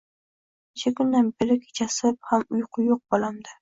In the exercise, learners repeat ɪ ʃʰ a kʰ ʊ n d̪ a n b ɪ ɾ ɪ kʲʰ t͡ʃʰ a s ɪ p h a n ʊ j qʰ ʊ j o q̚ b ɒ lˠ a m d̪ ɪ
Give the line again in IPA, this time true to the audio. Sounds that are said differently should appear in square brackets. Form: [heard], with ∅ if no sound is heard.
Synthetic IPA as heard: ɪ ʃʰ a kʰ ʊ n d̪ a n b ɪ ɾ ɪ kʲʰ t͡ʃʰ a s ɪ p h a [m] ʊ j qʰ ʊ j o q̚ b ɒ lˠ a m d̪ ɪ